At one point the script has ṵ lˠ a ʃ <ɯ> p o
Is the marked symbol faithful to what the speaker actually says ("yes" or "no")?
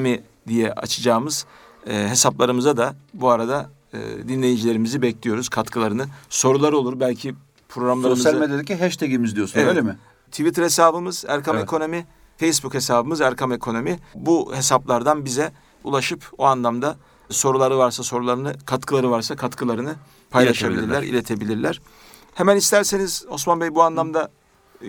yes